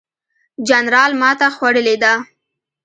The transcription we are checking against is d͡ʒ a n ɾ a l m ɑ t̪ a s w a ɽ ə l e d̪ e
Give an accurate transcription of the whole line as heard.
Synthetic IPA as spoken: d͡ʒ a n ɾ ɑ l m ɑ t̪ a x w a ɽ ə l e d̪ a